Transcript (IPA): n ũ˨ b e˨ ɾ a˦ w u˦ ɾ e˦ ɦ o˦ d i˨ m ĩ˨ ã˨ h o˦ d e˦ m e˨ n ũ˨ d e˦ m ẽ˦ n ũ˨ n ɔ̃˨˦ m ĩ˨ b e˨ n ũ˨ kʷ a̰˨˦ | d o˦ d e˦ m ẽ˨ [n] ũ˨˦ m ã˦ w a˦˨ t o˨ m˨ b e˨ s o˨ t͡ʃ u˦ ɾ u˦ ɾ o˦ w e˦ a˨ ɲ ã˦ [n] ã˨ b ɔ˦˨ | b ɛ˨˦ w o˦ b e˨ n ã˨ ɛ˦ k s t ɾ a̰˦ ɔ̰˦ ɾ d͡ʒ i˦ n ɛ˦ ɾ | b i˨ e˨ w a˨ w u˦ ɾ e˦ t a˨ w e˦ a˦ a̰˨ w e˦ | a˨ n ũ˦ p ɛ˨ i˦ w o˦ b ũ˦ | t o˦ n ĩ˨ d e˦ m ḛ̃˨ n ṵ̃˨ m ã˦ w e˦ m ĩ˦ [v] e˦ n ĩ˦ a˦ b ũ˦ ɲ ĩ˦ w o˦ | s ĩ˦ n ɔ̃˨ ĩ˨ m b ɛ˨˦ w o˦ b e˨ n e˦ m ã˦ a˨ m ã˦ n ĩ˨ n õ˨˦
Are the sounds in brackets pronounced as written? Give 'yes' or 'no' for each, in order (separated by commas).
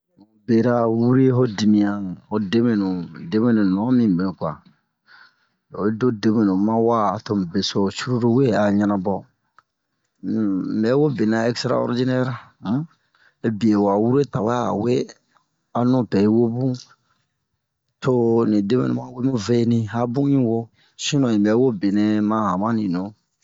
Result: yes, yes, yes